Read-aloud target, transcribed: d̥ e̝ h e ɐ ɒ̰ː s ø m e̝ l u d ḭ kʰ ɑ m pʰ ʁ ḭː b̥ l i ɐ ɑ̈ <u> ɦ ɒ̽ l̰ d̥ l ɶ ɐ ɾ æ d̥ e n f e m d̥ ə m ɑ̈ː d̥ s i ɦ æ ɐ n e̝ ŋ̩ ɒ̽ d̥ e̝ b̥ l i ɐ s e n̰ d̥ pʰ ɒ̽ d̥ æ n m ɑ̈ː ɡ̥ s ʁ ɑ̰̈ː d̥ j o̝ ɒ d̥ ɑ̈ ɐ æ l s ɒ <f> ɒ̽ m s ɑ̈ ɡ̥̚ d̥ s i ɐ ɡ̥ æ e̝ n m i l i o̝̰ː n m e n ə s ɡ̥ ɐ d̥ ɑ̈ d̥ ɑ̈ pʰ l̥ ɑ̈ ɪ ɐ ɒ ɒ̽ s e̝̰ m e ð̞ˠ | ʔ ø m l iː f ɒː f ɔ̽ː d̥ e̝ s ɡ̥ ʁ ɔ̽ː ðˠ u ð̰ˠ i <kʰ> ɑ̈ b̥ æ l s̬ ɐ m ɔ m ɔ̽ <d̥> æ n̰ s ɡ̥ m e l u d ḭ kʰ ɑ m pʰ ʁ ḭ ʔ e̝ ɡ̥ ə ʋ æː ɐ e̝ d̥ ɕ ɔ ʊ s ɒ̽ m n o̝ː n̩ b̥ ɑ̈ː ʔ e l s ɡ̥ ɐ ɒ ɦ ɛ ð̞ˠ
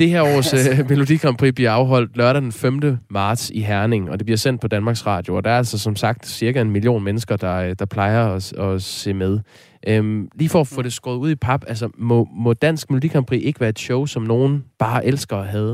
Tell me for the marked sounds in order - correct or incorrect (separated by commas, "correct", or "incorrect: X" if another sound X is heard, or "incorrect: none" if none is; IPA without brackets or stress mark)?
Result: incorrect: ʊ, incorrect: s, incorrect: pʰ, correct